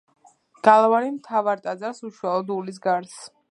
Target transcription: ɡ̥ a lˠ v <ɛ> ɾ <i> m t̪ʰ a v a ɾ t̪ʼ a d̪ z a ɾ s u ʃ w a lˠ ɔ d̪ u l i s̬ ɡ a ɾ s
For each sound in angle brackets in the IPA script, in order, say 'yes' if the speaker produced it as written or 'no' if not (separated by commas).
no, yes